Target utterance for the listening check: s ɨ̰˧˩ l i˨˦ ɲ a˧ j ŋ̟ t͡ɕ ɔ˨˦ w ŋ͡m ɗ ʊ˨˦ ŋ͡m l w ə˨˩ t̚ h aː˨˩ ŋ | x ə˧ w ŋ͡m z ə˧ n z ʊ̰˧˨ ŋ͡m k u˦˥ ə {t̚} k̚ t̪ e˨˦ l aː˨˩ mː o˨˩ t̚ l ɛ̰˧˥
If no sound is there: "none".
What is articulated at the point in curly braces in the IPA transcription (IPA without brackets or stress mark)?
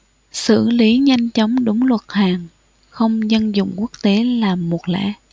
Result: none